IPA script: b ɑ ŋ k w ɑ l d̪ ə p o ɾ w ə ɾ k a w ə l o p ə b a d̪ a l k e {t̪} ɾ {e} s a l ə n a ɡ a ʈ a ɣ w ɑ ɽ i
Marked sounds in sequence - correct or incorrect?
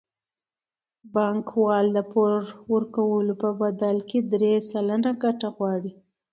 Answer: incorrect: d̪, correct

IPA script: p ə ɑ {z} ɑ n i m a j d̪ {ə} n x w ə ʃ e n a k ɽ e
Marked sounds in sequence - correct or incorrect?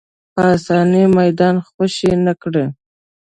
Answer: incorrect: s, incorrect: ɑ

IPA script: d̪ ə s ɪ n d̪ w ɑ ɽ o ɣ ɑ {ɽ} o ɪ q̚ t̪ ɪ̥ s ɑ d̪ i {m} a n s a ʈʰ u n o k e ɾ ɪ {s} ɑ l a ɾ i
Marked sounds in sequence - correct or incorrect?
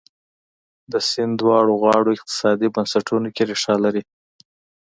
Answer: correct, incorrect: b, incorrect: ʂ

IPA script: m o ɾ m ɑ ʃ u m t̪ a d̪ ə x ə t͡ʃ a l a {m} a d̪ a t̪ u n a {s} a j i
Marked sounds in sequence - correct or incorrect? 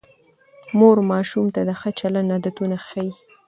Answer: incorrect: n, incorrect: x

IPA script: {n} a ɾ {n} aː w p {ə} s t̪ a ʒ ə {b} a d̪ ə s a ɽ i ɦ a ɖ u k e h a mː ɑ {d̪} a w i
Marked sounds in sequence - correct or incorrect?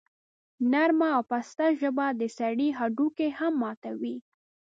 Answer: correct, incorrect: m, incorrect: a, correct, incorrect: t̪

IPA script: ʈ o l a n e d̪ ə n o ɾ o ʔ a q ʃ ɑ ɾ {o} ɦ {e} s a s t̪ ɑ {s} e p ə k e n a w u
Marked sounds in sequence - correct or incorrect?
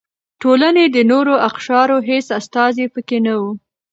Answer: correct, correct, incorrect: z

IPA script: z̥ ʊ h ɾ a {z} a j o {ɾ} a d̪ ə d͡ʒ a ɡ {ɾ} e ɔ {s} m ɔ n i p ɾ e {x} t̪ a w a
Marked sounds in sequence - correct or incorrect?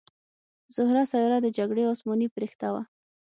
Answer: incorrect: s, correct, incorrect: ɽ, correct, correct

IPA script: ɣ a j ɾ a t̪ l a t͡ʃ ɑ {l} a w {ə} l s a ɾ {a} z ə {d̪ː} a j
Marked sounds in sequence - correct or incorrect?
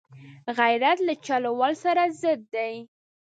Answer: correct, incorrect: ɑ, correct, correct

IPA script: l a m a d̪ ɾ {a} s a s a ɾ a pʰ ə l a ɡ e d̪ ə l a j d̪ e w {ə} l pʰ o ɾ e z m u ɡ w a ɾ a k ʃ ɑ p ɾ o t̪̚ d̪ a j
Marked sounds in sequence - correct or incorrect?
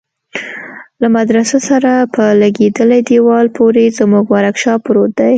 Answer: correct, incorrect: ɑ

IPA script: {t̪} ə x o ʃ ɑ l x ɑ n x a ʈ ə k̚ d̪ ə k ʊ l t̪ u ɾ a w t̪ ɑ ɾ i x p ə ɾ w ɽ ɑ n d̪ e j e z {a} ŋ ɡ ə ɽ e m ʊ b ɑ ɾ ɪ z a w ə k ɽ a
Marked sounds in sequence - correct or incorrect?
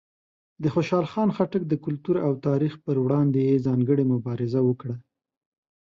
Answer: incorrect: d̪, incorrect: ɑ

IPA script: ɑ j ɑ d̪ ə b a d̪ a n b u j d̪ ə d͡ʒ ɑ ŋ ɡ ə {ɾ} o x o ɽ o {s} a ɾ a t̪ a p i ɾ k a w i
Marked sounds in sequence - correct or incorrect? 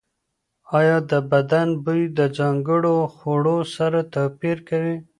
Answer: incorrect: ɽ, correct

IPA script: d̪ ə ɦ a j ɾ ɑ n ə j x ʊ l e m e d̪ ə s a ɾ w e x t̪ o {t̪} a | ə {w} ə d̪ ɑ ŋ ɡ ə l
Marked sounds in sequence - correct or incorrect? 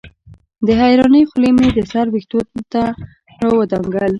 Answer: correct, correct

